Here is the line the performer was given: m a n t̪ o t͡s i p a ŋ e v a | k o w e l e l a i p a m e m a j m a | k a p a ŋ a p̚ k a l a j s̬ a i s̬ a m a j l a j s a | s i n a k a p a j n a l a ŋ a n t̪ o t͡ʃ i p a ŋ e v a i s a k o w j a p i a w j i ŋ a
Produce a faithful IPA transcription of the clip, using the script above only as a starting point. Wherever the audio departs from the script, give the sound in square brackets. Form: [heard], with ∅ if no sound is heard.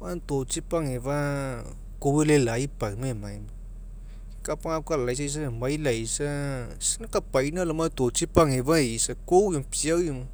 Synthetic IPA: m a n t̪ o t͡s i p a ŋ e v a | k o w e l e l a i p a m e m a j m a | k a p a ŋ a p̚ k a l a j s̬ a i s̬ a m a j l a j s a | s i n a k a p a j n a l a [m] a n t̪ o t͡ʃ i p a ŋ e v a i s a k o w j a p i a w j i [m] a

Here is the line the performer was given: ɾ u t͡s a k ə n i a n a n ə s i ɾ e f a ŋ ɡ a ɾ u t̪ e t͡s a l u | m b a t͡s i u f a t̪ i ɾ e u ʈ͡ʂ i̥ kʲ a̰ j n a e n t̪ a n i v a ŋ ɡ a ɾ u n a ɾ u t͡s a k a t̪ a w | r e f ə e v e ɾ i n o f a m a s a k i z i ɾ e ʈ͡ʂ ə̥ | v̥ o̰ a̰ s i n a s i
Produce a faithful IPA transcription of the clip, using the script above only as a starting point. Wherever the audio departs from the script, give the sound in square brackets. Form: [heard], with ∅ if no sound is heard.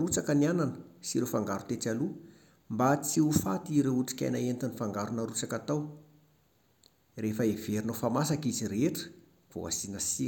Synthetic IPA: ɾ u t͡s a k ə n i a n a n ə s i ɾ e f a ŋ ɡ a ɾ u t̪ e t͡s a l u | m b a t͡s i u f a t̪ i ɾ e u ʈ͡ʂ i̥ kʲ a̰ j n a e n t̪ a n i [f] a ŋ ɡ a ɾ u n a ɾ u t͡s a k a t̪ a w | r e f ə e v e ɾ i n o f a m a s a k i z i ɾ e ʈ͡ʂ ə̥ | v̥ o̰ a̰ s i n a s i

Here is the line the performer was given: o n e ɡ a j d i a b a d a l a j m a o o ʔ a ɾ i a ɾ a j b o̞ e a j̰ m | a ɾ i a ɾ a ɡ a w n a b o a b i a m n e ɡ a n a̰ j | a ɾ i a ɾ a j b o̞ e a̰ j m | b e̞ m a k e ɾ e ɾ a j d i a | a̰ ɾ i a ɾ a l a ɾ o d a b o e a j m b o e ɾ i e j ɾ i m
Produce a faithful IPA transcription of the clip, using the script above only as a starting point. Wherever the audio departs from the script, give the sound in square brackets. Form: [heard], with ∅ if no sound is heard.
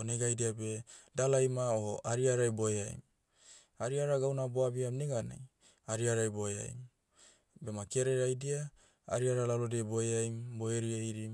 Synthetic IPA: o n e ɡ a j d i a b [e] d a l a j m a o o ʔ a ɾ i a ɾ a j b o̞ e a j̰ m | a ɾ i a ɾ a ɡ a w n a b o a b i a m n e ɡ a n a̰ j | a ɾ i a ɾ a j b o̞ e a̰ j m | b e̞ m a k e ɾ e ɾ a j d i a | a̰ ɾ i a ɾ a l a [l] o d [e] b o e a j m b o e ɾ i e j ɾ i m

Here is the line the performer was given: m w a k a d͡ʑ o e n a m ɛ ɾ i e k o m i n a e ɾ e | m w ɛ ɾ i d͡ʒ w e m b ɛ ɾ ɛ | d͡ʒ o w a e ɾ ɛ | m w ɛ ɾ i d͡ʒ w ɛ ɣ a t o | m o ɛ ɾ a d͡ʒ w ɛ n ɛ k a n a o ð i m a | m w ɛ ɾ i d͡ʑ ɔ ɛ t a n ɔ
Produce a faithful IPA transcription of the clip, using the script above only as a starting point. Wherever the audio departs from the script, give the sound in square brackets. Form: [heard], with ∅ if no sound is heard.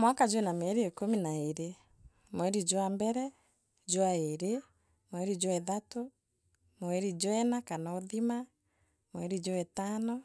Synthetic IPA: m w a k a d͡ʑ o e n a m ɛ ɾ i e k o m i n a e ɾ e | m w ɛ ɾ i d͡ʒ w [a] m b ɛ ɾ ɛ | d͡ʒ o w a e ɾ [e] | m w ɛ ɾ i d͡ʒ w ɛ [ð] a t o | m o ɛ ɾ [i] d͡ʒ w ɛ n [a] k a n a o ð i m a | m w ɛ ɾ i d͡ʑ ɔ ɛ t a n ɔ

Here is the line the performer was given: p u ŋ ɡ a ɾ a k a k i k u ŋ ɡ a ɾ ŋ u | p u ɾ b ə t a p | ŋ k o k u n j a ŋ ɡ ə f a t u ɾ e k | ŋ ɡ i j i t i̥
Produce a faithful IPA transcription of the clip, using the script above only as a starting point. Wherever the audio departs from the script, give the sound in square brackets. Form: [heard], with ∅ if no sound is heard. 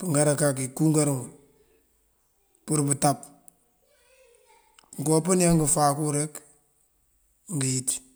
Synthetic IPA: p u ŋ ɡ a ɾ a k a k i k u ŋ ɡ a ɾ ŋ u | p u ɾ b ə t a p | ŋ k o [p] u n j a ŋ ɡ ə f a [k] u ɾ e k | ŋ ɡ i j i t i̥

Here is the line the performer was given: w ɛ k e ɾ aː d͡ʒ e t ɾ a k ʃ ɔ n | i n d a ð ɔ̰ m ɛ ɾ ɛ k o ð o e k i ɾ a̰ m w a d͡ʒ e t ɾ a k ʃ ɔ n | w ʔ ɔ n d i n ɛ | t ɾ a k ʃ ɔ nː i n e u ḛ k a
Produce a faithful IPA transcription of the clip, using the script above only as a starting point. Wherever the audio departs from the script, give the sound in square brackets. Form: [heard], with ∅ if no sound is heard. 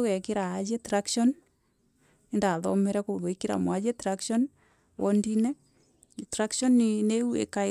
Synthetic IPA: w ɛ k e ɾ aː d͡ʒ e t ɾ a k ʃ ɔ n | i n d a ð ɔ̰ m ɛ ɾ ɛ k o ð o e k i ɾ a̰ m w a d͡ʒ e t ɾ a k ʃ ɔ n | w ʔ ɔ n d i n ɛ | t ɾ a k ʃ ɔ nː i n e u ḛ k a

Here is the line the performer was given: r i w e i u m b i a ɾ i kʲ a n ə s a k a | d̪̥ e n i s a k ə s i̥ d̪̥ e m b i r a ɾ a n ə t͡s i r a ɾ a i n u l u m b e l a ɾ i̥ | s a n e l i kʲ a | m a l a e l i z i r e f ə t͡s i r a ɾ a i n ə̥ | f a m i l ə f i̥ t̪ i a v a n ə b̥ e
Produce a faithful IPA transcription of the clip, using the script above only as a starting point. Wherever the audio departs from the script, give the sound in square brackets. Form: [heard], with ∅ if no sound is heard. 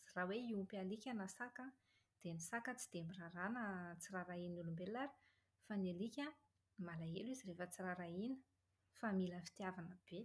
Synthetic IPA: r [a] w e i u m [p] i a [l] i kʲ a n [a] s a k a | d̪̥ e n i s a k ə [t͡s] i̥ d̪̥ e m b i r a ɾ a n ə t͡s i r a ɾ a i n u l u m b e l a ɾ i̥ | [f] a n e l i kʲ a | m a l a e l i z i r e f ə t͡s i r a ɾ a i n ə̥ | f a m i l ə f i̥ t̪ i a v a n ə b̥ e

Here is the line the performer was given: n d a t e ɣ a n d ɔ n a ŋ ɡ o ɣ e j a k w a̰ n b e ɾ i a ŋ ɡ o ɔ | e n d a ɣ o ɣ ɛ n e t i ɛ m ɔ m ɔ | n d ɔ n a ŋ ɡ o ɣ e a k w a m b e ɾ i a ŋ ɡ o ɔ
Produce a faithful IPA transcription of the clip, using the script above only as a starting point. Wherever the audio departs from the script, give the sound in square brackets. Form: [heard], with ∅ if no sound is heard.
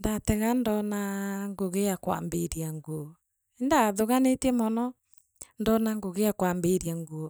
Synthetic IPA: n d a t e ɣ a n d ɔ n a ŋ ɡ o ɣ e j a k w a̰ [m] b e ɾ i a ŋ ɡ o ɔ | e n d a [ð] o ɣ [a] n e t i ɛ m ɔ [n] ɔ | n d ɔ n a ŋ ɡ o ɣ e a k w a m b e ɾ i a ŋ ɡ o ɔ

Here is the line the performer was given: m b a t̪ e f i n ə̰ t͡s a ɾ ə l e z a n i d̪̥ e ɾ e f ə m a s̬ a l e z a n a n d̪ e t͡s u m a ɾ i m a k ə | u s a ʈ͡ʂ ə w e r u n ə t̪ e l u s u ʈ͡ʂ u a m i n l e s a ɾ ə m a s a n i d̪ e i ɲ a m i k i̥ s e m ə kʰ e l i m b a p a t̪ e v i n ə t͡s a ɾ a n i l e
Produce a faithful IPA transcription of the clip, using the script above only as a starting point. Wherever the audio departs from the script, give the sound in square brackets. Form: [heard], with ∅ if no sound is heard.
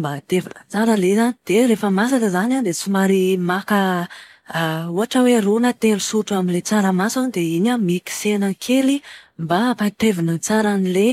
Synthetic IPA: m b a t̪ e [v] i n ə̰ t͡s a ɾ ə l e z a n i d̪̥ e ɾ e f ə m a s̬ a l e z a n a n d̪ e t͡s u m a ɾ i m a k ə | u [∅] a ʈ͡ʂ ə w e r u n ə t̪ e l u s u ʈ͡ʂ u a m i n l e [t͡s] a ɾ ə m a s a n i d̪ e i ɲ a m i k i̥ s e [n] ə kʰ e l i m b a p a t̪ e v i n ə t͡s a ɾ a n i l e

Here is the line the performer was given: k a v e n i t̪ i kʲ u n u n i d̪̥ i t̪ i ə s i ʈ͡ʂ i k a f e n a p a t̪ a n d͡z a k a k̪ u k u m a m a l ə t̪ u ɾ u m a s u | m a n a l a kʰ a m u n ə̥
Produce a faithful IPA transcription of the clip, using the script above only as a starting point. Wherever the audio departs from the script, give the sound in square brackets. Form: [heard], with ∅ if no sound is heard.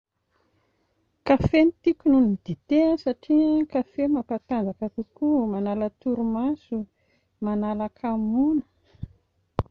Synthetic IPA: k a [f] e n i t̪ i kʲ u n u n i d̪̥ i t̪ [e] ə s [a] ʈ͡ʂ i k a f e [m] a p a t̪ a n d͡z a k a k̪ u k u m a [n] a l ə t̪ u ɾ u m a s u | m a n a l a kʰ a m u n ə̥

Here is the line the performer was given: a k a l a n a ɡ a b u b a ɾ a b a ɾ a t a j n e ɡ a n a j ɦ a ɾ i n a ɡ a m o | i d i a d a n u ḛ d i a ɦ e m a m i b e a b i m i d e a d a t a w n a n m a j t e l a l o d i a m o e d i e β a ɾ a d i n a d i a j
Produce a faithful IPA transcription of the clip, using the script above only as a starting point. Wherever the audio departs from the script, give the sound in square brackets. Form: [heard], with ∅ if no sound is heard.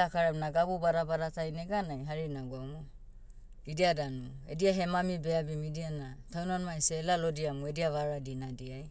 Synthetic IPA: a k a [ɾ] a n a ɡ a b u b a ɾ a b a ɾ a t a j n e ɡ a n a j ɦ a ɾ i n a ɡ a m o | i d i a d a n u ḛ d i a ɦ e m a m i b e a b i m i d [i] a [n] a t a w n a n m a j [s] e l a l o d i a m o e d i [a] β a ɾ a d i n a d i a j

